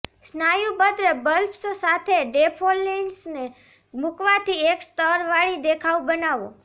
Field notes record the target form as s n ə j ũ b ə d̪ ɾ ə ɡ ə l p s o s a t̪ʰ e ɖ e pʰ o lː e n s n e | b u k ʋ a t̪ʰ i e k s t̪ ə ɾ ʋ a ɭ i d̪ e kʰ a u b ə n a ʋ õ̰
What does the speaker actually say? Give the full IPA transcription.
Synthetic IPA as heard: s n a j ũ b ə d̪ ɾ ə b ə l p s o s a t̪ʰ e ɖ e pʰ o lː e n s n e | m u k ʋ a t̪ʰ i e k s t̪ ə ɾ ʋ a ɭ i d̪ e kʰ a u b ə n a ʋ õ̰